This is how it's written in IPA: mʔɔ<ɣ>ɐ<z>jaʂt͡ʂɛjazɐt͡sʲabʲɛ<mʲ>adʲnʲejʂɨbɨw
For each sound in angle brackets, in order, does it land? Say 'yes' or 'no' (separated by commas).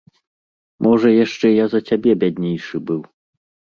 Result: no, no, no